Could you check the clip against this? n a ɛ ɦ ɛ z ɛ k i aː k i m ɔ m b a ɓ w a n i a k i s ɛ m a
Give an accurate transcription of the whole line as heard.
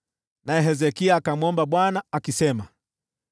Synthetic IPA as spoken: n a ɛ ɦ ɛ z ɛ k i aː k a m ɔ m b a ɓ w a n a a k i s ɛ m a

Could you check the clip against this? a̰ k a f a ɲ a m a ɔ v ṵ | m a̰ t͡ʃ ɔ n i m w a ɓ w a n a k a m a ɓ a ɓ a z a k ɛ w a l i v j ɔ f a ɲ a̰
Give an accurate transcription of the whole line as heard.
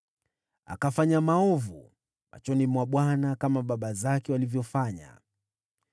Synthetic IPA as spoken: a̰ k a f a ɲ a m a ɔ v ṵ | m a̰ t͡ʃ ɔ n i m w a ɓ w a n a k a m a ɓ a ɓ a z a k ɛ w a l i v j ɔ f a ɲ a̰

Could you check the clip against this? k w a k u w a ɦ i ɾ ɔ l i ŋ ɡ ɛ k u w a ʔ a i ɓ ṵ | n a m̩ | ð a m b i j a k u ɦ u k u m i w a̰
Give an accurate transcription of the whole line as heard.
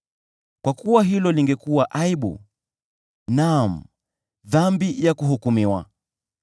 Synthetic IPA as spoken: k w a k u w a ɦ i l ɔ l i ŋ ɡ ɛ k u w a ʔ a i ɓ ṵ | n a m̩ | ð a m b i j a k u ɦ u k u m i w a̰

